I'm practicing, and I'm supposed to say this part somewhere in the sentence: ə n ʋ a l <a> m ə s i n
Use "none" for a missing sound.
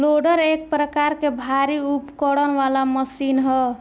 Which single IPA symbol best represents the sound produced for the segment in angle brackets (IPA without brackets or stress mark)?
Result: a